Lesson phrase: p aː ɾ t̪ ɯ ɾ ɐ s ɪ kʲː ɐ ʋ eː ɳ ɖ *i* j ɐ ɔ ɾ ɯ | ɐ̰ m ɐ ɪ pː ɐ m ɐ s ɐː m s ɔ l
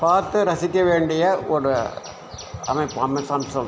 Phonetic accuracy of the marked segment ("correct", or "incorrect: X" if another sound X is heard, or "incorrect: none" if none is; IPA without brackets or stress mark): incorrect: ɪ